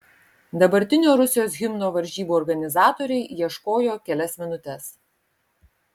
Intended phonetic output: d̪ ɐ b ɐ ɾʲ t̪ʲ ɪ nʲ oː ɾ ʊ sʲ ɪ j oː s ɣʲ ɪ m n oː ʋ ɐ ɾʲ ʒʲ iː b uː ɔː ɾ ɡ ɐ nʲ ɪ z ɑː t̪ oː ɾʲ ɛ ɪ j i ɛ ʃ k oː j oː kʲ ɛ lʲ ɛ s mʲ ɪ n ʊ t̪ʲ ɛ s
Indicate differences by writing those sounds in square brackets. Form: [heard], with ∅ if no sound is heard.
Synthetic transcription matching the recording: d̪ ɐ b ɐ ɾʲ t̪ʲ ɪ nʲ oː ɾ ʊ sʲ ɪ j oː s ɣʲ ɪ m n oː ʋ ɐ ɾʲ ʒʲ iː b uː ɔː ɾ ɡ ɐ nʲ ɪ z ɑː t̪ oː ɾʲ ɛ ɪ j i ɛ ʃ k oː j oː kʲ ɛ lʲ ɛ s mʲ ɪ n ʊ t̪ʲ ɛ s